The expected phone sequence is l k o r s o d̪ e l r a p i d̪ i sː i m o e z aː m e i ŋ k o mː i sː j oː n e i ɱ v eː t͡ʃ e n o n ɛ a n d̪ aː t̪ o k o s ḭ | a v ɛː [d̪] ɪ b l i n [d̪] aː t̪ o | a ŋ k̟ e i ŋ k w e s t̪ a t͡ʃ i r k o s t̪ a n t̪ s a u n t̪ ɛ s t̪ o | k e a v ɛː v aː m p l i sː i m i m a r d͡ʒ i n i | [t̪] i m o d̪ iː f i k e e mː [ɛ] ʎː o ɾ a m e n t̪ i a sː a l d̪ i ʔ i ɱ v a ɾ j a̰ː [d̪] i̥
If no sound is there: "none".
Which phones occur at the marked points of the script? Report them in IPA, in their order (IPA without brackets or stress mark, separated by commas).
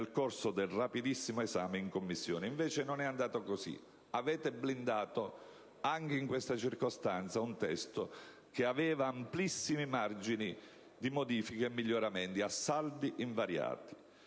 t̪, d̪, d̪, i, t̪